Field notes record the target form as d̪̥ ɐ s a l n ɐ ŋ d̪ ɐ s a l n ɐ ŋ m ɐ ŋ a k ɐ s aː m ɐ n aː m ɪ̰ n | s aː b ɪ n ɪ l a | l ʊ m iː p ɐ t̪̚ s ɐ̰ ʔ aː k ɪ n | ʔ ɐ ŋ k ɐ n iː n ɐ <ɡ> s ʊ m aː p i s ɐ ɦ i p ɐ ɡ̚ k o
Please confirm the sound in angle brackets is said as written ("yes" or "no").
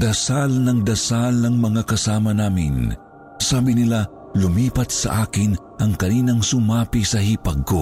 no